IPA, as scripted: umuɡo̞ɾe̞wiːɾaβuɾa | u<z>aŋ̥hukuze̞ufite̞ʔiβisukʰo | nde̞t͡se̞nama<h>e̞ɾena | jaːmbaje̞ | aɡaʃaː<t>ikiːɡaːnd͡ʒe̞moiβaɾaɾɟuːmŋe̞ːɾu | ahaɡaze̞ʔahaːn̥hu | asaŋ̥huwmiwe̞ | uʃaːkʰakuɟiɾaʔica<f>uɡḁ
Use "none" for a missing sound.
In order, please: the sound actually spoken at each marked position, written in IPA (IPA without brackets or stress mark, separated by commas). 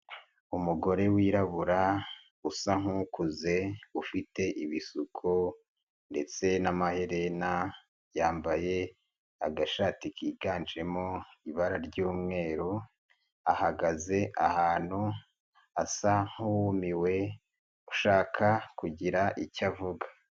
s, h, t, v